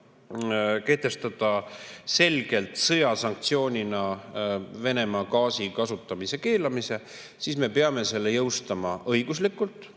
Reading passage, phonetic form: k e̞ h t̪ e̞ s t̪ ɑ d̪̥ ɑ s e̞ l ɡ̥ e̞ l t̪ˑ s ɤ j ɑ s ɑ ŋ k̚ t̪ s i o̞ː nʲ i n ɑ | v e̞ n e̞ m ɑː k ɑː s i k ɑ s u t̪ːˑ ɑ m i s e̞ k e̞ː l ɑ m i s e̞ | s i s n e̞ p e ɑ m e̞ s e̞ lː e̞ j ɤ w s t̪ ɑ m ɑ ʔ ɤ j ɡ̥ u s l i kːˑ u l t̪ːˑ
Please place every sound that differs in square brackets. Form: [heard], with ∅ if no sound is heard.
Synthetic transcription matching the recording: k e̞ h t̪ e̞ s t̪ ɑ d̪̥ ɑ s e̞ l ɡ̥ e̞ l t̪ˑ s ɤ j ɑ s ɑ ŋ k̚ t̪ s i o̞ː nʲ i n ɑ | v e̞ n e̞ m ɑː k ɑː s i k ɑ s u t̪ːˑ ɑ m i s e̞ k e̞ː l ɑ m i s e̞ | s i s [m] e̞ p e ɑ m e̞ s e̞ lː e̞ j ɤ w s t̪ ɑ m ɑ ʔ ɤ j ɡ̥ u s l i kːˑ u l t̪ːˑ